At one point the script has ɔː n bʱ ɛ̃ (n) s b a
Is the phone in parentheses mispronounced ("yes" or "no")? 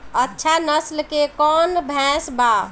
yes